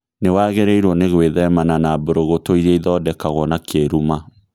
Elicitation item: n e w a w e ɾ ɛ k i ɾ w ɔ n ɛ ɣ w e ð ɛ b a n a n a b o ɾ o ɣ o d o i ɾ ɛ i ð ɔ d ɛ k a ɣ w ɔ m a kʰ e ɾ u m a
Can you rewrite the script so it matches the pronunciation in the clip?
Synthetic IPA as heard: n e w a ɣ e ɾ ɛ i ɾ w ɔ n e ɣ w e ð ɛ m a n a n a b o ɾ o ɣ o t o i ɾ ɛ i ð ɔ d ɛ k a ɣ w ɔ n a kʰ e ɾ u m a